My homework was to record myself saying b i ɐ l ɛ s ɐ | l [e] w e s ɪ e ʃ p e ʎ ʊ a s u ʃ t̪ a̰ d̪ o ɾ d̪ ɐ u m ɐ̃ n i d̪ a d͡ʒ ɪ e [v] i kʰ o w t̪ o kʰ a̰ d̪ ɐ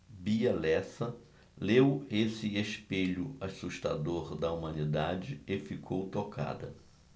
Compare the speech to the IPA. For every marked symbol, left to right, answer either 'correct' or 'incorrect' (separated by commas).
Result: correct, incorrect